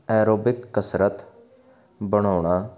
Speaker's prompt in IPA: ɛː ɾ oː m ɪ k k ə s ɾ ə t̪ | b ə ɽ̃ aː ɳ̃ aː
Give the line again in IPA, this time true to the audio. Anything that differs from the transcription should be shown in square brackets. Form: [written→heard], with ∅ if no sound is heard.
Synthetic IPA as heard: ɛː ɾ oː [m→b] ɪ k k ə s ɾ ə t̪ | b ə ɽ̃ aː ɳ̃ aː